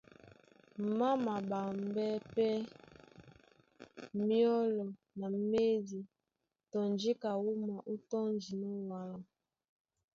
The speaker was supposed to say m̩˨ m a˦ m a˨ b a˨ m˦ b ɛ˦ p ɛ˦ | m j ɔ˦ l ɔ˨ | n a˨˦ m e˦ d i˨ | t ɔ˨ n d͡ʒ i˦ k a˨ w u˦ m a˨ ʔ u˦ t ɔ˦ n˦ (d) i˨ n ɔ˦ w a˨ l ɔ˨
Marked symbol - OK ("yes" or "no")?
no